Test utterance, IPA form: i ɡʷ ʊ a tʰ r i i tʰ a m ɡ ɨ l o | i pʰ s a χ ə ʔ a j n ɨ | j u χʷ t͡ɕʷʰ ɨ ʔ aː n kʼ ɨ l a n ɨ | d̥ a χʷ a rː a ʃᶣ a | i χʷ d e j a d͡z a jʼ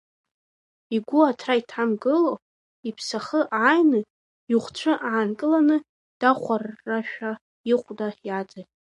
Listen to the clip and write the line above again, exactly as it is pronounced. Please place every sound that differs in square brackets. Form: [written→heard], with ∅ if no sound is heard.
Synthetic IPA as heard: i ɡʷ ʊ a tʰ r [i→a] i tʰ a m ɡ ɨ l o | i pʰ s a χ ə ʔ a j n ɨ | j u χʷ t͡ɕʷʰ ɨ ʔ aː n kʼ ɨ l a n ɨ | d̥ a χʷ a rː a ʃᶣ a | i χʷ d [e→a] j a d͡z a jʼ